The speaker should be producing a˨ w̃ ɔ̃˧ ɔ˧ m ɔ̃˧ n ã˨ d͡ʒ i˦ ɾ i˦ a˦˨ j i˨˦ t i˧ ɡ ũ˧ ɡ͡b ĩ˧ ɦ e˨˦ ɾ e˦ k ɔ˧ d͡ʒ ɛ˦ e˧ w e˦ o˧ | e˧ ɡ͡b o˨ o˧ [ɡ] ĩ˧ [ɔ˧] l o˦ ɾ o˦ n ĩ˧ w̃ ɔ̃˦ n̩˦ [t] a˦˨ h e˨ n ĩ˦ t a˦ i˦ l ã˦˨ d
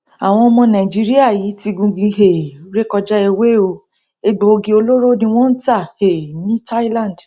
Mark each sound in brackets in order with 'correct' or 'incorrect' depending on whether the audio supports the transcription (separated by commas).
correct, incorrect, correct